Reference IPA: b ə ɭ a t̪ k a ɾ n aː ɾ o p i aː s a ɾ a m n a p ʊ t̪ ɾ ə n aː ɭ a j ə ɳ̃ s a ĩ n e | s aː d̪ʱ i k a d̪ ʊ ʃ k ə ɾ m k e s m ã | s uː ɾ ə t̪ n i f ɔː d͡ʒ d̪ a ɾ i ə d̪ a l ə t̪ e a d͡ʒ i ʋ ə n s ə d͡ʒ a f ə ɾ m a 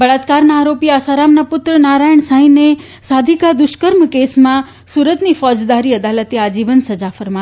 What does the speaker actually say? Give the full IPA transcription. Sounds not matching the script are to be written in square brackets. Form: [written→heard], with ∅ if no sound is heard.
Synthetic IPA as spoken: b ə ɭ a t̪ k a ɾ n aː ɾ o p i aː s a ɾ a m n a p ʊ t̪ ɾ ə n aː [ɭ→ɾ] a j ə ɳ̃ s a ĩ n e | s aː d̪ʱ i k a d̪ ʊ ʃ k ə ɾ m k e s m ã | s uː ɾ ə t̪ n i f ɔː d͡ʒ d̪ a ɾ i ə d̪ a l ə t̪ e a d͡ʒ i ʋ ə n s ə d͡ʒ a f ə ɾ m a